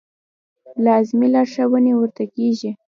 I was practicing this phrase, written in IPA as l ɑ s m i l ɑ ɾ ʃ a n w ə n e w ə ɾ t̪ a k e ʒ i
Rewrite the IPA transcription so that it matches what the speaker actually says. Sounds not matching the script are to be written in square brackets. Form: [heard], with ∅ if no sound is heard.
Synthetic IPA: l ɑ [z] m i l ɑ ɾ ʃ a [∅] w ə n e w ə ɾ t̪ a k e ʒ i